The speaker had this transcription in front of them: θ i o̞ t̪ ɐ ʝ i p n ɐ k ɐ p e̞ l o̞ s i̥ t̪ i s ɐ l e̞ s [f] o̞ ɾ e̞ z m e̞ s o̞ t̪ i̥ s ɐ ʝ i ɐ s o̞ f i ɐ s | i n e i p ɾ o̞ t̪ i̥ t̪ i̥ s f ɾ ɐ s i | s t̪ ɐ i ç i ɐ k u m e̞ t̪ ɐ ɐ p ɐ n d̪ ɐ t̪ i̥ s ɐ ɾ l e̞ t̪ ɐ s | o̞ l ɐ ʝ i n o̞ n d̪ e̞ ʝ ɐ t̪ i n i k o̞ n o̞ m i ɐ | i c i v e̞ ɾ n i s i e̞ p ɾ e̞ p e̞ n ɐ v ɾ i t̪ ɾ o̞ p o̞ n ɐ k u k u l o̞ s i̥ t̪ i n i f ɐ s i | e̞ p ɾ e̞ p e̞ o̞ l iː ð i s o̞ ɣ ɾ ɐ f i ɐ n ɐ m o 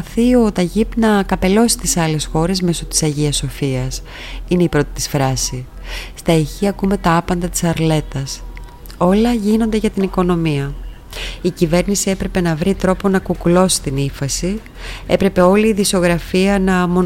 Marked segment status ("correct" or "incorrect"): incorrect